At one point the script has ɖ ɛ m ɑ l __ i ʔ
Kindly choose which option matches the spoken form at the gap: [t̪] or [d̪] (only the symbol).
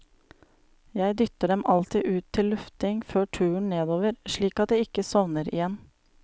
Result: t̪